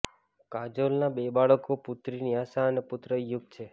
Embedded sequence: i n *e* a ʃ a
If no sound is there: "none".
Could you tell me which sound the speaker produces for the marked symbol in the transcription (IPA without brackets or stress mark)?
i